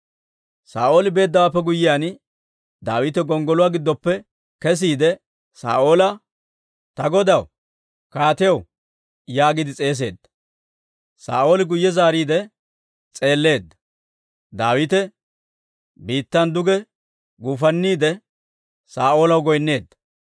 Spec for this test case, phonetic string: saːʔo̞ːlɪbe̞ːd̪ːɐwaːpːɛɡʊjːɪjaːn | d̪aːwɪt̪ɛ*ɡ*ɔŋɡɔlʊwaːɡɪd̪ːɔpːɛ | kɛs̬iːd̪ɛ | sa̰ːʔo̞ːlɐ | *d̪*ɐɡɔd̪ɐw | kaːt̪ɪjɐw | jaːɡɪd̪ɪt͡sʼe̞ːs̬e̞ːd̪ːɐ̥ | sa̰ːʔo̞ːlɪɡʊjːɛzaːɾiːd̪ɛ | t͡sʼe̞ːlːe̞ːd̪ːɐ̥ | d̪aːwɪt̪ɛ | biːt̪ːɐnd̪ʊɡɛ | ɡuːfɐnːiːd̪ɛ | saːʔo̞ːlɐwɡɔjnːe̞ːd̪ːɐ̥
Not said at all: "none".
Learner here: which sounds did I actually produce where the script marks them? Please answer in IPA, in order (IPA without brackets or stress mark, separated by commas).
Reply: ɡ, t̪